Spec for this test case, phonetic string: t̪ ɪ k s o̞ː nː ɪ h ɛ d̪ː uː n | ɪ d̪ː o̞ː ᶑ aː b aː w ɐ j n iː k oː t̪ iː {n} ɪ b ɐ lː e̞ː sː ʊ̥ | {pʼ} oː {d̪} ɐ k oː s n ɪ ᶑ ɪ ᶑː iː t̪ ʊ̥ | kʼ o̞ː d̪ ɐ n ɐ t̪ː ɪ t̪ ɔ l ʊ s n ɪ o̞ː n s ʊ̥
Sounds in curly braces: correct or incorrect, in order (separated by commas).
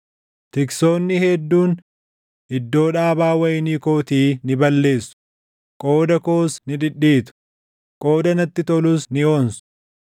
correct, incorrect, correct